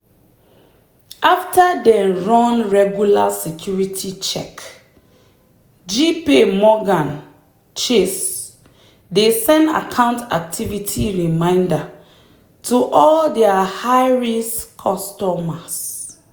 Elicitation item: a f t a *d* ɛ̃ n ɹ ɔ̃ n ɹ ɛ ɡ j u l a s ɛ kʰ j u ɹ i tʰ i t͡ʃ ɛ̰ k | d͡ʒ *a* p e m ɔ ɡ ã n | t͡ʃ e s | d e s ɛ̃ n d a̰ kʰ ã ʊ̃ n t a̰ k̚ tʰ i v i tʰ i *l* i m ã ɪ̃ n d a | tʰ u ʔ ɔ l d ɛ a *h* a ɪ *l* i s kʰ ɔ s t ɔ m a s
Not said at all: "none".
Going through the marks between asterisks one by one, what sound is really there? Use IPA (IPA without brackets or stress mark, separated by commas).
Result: d, i, ɹ, h, ɹ